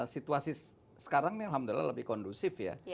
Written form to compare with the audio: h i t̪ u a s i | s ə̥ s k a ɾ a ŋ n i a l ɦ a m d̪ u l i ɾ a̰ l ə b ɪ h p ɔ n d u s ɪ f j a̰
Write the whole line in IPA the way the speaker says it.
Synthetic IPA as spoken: s i t̪ u a s i | s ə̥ k a ɾ a ŋ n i a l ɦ a m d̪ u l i l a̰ l ə b ɪ h k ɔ n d u s ɪ f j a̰